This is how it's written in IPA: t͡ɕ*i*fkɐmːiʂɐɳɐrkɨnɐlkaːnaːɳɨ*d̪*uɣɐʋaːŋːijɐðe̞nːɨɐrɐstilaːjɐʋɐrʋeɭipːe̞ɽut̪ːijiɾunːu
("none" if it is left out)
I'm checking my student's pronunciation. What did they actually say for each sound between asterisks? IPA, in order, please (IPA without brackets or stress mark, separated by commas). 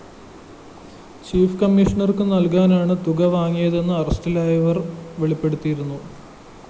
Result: iː, t̪